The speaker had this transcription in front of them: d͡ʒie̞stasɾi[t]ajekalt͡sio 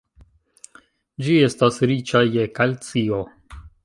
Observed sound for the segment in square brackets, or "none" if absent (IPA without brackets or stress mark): t͡ʃ